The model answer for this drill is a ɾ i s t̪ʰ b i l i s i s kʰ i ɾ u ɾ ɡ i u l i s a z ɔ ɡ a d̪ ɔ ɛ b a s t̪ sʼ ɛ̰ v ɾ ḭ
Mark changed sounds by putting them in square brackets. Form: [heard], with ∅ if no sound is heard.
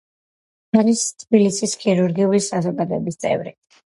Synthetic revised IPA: a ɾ i s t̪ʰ b i l i s i s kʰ i ɾ u ɾ ɡ i u l i s a z ɔ ɡ a d̪ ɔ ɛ b [i] s t̪ sʼ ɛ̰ v ɾ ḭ